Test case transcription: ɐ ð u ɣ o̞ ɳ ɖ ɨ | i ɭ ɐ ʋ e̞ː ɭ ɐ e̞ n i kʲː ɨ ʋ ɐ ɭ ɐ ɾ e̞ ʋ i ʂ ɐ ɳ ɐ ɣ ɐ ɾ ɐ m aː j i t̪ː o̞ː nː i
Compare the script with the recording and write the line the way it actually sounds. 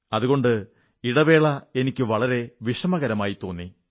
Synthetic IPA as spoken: ɐ ð u ɣ o̞ ɳ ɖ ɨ | i ɽ ɐ ʋ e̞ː ɭ ɐ e̞ n i kʲː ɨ ʋ ɐ ɭ ɐ ɾ e̞ ʋ i ʂ ɐ m ɐ ɣ ɐ ɾ ɐ m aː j i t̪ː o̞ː nː i